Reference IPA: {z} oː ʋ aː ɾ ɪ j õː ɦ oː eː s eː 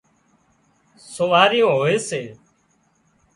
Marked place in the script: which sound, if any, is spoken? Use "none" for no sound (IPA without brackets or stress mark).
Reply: s